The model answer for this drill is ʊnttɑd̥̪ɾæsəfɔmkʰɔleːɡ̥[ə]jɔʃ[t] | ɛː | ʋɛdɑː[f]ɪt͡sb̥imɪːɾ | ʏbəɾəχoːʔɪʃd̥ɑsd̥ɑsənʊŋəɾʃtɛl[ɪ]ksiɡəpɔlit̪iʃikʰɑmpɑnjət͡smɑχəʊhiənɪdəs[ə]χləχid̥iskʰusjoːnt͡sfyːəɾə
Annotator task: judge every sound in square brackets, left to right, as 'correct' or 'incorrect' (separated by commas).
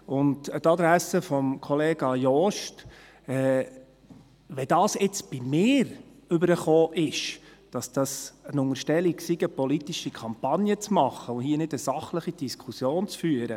incorrect, correct, incorrect, incorrect, incorrect